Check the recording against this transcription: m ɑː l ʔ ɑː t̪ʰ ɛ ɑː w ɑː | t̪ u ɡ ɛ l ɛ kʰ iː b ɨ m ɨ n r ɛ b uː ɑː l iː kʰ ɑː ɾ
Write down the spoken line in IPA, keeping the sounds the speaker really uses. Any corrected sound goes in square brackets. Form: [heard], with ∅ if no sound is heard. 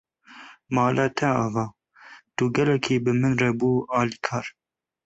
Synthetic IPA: m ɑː l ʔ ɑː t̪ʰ ɛ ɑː [v] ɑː | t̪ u ɡ ɛ l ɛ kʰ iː b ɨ m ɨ n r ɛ b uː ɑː l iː kʰ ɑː ɾ